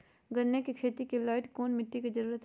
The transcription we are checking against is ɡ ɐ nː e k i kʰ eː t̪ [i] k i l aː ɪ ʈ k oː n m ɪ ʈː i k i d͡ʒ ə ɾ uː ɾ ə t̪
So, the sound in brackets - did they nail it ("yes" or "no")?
yes